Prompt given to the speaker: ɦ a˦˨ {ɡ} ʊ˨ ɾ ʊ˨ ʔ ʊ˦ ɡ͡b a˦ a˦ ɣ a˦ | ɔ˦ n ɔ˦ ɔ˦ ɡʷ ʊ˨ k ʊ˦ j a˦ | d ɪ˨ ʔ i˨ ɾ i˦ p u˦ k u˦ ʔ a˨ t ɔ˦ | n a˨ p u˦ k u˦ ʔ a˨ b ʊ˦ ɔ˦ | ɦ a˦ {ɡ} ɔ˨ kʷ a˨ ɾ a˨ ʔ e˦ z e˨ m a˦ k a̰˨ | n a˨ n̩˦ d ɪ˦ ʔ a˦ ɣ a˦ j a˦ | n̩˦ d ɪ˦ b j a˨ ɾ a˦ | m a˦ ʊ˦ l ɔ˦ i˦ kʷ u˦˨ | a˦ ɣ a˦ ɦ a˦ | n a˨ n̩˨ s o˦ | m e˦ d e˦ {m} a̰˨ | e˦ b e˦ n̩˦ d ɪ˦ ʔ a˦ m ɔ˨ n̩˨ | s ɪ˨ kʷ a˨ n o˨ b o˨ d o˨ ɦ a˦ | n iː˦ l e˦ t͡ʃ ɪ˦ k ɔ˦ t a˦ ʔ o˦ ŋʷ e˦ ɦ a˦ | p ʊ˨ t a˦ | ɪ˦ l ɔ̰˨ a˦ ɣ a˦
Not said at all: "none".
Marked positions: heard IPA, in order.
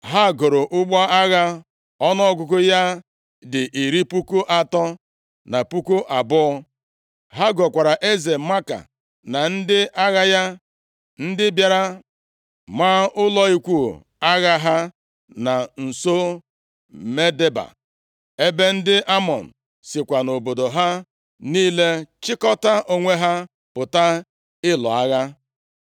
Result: ɡ, ɡ, b

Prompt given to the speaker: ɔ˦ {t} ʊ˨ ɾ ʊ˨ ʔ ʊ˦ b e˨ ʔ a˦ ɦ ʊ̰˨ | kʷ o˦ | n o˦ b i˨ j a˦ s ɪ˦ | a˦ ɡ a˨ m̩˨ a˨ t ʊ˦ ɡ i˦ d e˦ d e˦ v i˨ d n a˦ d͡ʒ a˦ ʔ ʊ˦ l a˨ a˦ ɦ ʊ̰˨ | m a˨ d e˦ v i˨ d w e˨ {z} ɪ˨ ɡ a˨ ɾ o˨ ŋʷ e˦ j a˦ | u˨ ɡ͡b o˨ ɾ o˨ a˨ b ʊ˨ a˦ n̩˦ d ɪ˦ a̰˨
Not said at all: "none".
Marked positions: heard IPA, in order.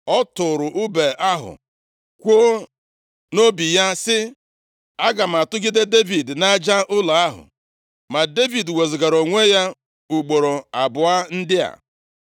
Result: t, z

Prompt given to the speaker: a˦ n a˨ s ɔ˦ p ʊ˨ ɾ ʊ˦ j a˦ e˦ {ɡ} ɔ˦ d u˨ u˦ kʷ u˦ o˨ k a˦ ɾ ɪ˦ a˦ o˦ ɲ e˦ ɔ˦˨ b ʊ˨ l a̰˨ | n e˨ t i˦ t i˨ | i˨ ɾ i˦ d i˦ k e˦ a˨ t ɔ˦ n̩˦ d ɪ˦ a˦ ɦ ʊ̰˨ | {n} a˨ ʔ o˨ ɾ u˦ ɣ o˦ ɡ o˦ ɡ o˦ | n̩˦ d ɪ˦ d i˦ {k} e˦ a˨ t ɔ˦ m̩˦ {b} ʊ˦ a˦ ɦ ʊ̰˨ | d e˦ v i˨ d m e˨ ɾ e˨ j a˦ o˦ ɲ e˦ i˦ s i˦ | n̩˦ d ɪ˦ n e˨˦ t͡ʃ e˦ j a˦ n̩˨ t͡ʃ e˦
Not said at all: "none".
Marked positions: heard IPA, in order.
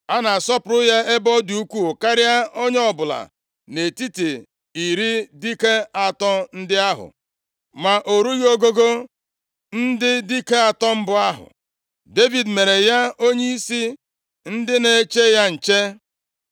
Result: b, m, k, b

